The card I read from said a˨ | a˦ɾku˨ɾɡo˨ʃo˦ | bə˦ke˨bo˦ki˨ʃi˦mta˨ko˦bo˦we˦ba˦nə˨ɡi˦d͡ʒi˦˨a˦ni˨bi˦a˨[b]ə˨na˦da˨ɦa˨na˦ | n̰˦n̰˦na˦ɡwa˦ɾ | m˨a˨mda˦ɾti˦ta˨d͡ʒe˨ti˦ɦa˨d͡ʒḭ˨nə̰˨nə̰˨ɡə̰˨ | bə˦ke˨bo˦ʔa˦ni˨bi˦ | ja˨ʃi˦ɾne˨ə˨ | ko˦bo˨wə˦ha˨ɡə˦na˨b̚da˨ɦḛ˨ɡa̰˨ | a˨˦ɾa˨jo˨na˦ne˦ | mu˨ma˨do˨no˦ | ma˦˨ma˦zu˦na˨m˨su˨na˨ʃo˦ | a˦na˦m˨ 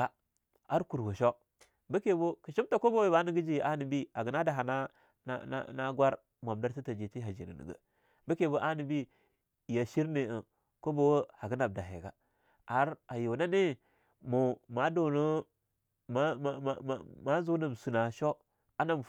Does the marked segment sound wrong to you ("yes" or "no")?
yes